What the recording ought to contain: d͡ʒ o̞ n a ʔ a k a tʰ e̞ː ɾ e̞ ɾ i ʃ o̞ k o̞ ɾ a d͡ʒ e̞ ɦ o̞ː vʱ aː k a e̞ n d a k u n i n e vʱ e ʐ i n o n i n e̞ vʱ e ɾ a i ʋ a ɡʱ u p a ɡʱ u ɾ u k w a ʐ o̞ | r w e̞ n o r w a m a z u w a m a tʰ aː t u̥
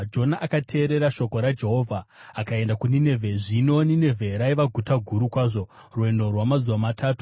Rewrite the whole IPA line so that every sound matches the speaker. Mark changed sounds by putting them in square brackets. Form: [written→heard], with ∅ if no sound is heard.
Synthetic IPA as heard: d͡ʒ o̞ n a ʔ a k a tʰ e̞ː ɾ e̞ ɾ [i→a] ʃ o̞ k o̞ ɾ a d͡ʒ e̞ ɦ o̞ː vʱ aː k a e̞ n d a k u n i n e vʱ e ʐ i n o n i n e̞ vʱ e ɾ a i ʋ a ɡʱ u [p→t] a ɡʱ u ɾ u k w a ʐ o̞ | r w e̞ n o r w a m a z u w a m a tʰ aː t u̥

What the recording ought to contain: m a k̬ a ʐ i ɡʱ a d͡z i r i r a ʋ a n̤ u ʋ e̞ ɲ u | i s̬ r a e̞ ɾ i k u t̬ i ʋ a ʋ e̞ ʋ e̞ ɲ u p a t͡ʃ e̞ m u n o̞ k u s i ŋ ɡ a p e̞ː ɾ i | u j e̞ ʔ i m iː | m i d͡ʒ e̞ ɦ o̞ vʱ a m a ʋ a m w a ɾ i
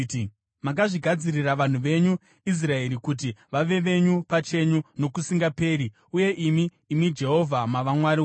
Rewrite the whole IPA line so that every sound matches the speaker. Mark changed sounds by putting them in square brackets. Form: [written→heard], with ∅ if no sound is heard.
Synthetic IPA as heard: m a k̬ a ʐ i ɡʱ a d͡z i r i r a ʋ a n̤ u ʋ e̞ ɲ u | i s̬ r a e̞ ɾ i k u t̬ i ʋ a ʋ e̞ ʋ e̞ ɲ u p a t͡ʃ e̞ [m→ɲ] u n o̞ k u s i ŋ ɡ a p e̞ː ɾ i | u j e̞ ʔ i m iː | m i d͡ʒ e̞ ɦ o̞ vʱ a m a ʋ a m w a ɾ i

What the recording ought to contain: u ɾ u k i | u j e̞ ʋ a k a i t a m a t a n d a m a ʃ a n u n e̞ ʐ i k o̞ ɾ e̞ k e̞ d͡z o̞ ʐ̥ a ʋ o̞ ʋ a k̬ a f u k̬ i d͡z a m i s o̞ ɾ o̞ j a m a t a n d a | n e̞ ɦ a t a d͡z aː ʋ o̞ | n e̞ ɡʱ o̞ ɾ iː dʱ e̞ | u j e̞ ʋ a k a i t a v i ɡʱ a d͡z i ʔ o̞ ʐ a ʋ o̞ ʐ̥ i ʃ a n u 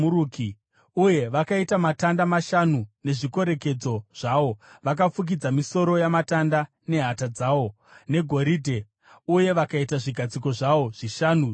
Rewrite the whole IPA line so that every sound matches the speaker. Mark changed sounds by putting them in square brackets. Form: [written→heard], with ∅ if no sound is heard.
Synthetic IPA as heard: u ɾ u k i | u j e̞ ʋ a k a i t a m a t a n d a m a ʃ a n u n e̞ ʐ i k o̞ ɾ e̞ k e̞ d͡z o̞ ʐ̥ a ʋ o̞ ʋ a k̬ a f u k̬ i d͡z a m i s o̞ ɾ o̞ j a m a t a n d a | n e̞ ɦ a t a d͡z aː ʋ o̞ | n e̞ ɡʱ o̞ ɾ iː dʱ e̞ | u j e̞ ʋ a k a i t a [v→ʐ] i ɡʱ a d͡z i [ʔ→k] o̞ ʐ a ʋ o̞ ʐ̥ i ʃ a n u

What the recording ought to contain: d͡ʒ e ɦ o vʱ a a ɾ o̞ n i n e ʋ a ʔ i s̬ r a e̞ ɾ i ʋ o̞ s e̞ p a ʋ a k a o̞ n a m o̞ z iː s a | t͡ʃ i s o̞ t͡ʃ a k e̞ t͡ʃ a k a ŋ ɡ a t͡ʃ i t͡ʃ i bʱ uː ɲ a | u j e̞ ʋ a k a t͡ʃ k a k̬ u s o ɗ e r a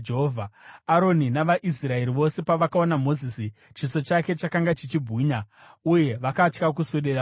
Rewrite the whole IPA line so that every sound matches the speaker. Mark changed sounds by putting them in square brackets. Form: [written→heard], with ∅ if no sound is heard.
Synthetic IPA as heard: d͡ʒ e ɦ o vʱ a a ɾ o̞ n i n [e→a] ʋ a ʔ i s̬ r a e̞ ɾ i ʋ o̞ s e̞ p a ʋ a k a o̞ n a m o̞ z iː s [a→i] | t͡ʃ i s o̞ t͡ʃ a k e̞ t͡ʃ a k a ŋ ɡ a t͡ʃ i t͡ʃ i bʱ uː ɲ a | u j e̞ ʋ a k a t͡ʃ k a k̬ u s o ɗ e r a

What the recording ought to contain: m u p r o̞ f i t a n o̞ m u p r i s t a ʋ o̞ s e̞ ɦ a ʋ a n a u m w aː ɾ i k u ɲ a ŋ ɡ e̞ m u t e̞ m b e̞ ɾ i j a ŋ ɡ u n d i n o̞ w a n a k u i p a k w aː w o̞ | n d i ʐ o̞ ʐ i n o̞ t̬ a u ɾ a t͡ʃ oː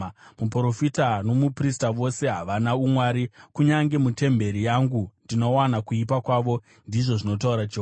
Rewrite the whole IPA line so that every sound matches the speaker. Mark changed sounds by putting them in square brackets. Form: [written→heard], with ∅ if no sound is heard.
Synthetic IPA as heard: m u p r o̞ f i t a n o̞ m u p r i s t a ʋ o̞ s e̞ ɦ a ʋ a n a u m w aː ɾ i k u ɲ a ŋ ɡ e̞ m u t e̞ m b e̞ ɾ i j a ŋ ɡ u n d i n o̞ w a n a k u i p a k w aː [w→ʋ] o̞ | n d i ʐ o̞ ʐ i n o̞ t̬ a u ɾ a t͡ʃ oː

